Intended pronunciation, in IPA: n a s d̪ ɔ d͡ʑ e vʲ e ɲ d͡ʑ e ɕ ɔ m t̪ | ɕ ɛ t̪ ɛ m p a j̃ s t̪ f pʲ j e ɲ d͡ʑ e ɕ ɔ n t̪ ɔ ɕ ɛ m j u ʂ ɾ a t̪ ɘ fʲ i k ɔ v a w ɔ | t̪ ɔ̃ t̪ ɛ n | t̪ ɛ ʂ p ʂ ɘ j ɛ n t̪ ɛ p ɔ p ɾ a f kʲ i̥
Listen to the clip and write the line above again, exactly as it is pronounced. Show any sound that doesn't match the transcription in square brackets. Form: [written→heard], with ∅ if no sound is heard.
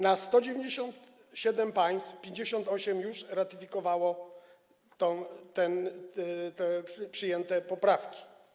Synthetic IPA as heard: n a s [d̪→t̪] ɔ d͡ʑ e vʲ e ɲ d͡ʑ e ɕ ɔ [m→n] t̪ | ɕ ɛ [t̪→d̪] ɛ m p a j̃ s t̪ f pʲ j e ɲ d͡ʑ e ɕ ɔ n t̪ ɔ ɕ ɛ m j u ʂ ɾ a t̪ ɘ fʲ i k ɔ v a w ɔ | t̪ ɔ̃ t̪ ɛ n | t̪ ɛ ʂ p ʂ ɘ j ɛ n t̪ ɛ p ɔ p ɾ a f kʲ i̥